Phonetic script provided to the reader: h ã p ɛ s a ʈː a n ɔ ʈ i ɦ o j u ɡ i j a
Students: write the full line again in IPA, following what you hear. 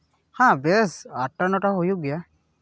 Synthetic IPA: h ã b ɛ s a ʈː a n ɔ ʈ a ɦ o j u ɡ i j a